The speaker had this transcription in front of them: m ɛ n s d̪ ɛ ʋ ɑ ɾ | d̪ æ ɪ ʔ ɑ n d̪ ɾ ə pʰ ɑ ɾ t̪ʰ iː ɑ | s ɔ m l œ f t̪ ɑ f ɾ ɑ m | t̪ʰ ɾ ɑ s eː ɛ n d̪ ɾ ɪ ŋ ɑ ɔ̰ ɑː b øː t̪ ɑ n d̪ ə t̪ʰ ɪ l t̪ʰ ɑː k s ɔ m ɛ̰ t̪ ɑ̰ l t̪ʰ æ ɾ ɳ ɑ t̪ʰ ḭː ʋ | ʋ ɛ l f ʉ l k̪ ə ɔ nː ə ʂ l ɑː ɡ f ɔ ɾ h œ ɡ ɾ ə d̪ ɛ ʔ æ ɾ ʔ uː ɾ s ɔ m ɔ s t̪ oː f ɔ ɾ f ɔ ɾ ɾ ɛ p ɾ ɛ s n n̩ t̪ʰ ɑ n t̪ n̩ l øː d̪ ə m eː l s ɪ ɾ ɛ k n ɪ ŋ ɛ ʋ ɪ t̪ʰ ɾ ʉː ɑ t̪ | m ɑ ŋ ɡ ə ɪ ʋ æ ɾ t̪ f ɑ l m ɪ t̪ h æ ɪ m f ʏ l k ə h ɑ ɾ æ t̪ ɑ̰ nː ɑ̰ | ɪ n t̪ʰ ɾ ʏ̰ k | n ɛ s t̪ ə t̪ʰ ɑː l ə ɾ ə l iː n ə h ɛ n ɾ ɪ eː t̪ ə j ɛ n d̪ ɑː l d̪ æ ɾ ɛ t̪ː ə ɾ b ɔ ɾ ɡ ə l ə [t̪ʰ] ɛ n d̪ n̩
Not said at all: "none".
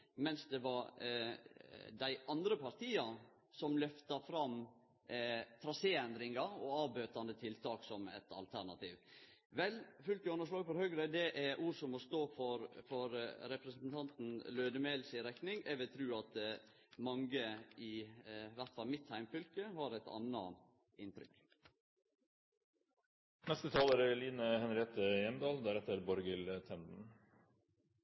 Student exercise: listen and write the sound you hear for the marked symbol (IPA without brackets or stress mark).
t̪ʰ